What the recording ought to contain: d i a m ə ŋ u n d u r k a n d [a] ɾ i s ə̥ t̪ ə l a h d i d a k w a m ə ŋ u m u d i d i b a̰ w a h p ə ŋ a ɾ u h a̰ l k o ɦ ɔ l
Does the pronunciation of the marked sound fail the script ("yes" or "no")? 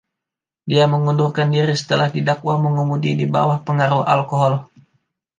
yes